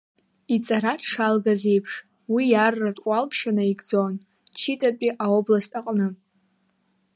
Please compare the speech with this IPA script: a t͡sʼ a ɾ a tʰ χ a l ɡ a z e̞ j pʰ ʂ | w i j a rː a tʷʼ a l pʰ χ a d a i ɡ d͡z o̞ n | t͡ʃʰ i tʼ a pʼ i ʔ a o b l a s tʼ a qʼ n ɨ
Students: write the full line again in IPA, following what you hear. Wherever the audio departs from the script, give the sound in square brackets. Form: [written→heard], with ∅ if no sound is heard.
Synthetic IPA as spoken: [a→i] t͡sʼ a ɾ a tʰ [χ→ʂ] a l ɡ a z e̞ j pʰ ʂ | w i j a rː a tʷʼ a l pʰ [χ→ʃ] a [d→n] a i ɡ d͡z o̞ n | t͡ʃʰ i tʼ a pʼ i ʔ a o b l a s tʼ a qʼ n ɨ